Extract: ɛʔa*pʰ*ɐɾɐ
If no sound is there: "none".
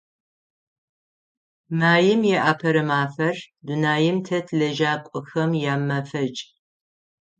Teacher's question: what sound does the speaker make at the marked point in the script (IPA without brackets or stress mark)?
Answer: pʰ